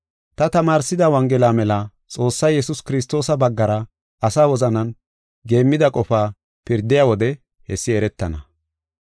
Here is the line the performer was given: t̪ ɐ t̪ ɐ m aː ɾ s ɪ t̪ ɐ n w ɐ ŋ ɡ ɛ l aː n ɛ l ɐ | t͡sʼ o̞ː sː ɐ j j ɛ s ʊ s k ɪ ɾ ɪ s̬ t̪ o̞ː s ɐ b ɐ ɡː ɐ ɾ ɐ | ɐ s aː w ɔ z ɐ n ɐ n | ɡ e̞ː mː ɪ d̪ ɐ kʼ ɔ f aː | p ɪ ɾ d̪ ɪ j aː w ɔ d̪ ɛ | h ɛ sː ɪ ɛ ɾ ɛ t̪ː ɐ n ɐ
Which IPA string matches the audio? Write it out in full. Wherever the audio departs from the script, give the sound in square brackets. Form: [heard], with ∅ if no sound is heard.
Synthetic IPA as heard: t̪ ɐ t̪ ɐ m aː ɾ s ɪ [d̪] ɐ [∅] w ɐ ŋ ɡ ɛ l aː [m] ɛ l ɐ | t͡sʼ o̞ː sː ɐ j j ɛ s ʊ s k ɪ ɾ ɪ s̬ t̪ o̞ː s ɐ b ɐ ɡː ɐ ɾ ɐ | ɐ s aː w ɔ z ɐ n ɐ n | ɡ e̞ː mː ɪ d̪ ɐ kʼ ɔ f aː | p ɪ ɾ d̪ ɪ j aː w ɔ d̪ ɛ | h ɛ sː ɪ ɛ ɾ ɛ t̪ː ɐ n ɐ